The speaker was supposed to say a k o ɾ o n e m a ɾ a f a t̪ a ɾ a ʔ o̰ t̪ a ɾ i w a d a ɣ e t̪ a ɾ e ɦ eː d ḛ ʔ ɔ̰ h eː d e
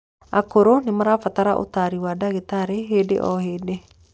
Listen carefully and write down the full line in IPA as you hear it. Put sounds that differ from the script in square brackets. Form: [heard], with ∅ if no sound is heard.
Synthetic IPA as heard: a k o ɾ o n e m a ɾ a f a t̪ a ɾ a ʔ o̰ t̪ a ɾ i w a d a ɣ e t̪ a ɾ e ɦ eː d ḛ ʔ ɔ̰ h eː d e